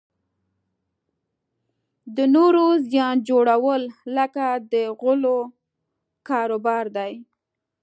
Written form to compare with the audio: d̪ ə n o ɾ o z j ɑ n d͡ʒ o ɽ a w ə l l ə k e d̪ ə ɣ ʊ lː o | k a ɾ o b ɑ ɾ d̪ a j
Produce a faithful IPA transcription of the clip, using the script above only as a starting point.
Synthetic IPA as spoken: d̪ ə n o ɾ o z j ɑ n d͡ʒ o ɽ a w ə l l ə k a d̪ ə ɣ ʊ l o | k ɑ ɾ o b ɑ ɾ d̪ a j